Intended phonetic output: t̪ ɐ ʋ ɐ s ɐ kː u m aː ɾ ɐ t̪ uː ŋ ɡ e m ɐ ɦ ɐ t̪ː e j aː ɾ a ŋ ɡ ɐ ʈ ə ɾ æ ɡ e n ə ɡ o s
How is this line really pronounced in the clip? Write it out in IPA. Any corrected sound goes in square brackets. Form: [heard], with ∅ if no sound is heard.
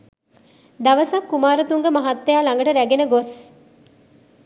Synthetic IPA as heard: [d̪] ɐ ʋ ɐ s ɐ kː u m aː ɾ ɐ t̪ [u] ŋ ɡ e m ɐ ɦ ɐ t̪ː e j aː [l] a ŋ ɡ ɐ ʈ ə ɾ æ ɡ e n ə ɡ o s